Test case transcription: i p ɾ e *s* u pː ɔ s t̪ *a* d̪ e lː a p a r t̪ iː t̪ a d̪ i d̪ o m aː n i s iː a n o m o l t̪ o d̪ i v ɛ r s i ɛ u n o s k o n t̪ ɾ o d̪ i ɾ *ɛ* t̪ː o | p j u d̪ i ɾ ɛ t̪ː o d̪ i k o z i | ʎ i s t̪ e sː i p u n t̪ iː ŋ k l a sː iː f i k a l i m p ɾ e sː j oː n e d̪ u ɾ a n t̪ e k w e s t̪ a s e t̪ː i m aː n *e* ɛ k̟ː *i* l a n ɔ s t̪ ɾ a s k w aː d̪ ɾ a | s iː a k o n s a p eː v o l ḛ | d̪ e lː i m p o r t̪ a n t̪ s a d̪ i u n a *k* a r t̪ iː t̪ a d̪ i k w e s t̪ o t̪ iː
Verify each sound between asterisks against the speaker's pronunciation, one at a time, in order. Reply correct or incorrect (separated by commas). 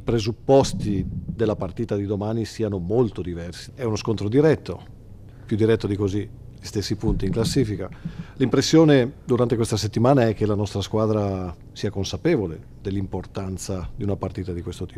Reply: incorrect, incorrect, correct, incorrect, incorrect, incorrect